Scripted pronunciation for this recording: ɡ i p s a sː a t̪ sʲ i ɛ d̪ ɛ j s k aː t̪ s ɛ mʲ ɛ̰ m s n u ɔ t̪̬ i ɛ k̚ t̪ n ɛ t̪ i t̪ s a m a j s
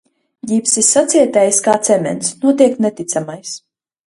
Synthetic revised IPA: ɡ i p s i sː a t̪ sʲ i ɛ t̪ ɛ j s k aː t̪ s ɛ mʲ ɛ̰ n s n u ɔ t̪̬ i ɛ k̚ t̪ n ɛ t̪ i t̪ s a m a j s